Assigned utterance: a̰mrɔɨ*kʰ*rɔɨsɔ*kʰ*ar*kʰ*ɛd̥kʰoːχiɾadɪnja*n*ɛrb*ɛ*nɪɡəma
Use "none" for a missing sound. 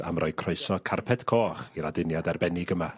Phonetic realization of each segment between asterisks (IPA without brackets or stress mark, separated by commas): kʰ, kʰ, pʰ, d, ɛ